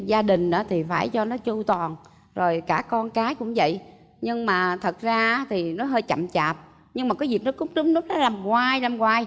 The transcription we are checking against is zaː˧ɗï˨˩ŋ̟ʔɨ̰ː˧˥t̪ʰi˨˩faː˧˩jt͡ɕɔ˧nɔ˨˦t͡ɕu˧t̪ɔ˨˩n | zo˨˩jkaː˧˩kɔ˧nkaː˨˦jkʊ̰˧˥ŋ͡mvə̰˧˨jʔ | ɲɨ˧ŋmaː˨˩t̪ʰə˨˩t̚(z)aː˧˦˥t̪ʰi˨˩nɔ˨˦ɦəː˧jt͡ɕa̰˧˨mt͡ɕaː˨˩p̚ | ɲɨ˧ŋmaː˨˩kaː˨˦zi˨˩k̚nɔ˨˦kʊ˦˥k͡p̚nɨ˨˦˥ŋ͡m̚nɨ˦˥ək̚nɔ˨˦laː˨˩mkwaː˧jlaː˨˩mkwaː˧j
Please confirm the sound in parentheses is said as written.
yes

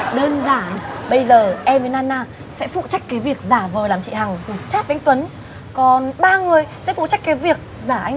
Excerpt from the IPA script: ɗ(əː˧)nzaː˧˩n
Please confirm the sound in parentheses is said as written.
yes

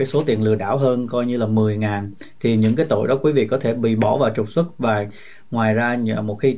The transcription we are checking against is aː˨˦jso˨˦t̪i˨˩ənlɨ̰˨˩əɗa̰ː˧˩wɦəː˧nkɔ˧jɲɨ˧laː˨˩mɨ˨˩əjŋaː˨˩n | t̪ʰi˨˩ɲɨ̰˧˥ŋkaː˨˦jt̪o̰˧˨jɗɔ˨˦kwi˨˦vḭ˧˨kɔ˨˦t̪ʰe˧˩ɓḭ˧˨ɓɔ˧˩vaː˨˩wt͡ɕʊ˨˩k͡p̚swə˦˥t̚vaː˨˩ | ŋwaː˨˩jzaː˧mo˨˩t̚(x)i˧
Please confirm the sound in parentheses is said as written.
yes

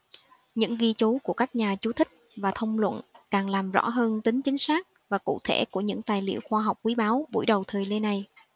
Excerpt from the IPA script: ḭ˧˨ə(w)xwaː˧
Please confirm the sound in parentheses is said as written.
yes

